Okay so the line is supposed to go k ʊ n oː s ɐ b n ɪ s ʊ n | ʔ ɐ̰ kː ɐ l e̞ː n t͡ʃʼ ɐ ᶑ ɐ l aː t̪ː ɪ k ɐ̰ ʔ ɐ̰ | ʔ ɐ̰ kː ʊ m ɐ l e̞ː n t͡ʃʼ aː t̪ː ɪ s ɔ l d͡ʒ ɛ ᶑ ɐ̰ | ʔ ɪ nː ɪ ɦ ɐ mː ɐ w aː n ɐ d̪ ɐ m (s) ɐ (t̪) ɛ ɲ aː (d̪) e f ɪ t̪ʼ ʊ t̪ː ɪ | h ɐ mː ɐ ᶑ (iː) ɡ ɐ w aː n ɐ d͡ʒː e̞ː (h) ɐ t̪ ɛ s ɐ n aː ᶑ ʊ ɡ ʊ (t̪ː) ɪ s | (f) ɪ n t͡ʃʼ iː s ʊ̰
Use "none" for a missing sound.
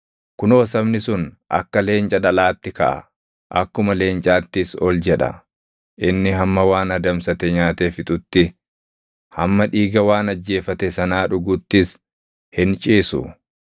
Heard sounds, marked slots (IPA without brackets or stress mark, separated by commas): s, t̪, t̪, iː, f, t̪ː, h